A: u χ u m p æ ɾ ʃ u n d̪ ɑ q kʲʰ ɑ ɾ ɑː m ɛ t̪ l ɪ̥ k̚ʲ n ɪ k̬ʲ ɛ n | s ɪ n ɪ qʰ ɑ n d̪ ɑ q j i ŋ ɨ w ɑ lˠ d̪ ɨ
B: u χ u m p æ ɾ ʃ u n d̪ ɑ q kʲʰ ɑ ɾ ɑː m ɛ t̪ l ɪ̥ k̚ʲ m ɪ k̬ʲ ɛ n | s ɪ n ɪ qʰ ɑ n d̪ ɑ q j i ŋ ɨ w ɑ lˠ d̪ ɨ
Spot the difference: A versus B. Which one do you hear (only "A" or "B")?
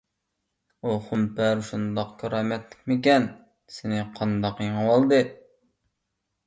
B